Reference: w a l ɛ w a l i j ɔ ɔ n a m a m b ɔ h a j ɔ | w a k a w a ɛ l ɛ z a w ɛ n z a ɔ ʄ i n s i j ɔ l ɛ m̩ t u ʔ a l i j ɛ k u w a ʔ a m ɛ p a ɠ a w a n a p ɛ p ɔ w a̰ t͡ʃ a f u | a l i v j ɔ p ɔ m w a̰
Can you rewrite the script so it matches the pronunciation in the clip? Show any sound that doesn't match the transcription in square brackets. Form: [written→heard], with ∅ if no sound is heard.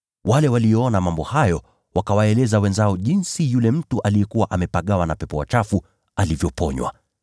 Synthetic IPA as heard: w a l ɛ w a l i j ɔ ɔ n a m a m b ɔ h a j ɔ | w a k a w a ɛ l ɛ z a w ɛ n z a ɔ ʄ i n s i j [ɔ→u] l ɛ m̩ t u ʔ a l i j ɛ k u w a ʔ a m ɛ p a ɠ a w a n a p ɛ p ɔ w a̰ t͡ʃ a f u | a l i v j ɔ p ɔ [m→ɲ] w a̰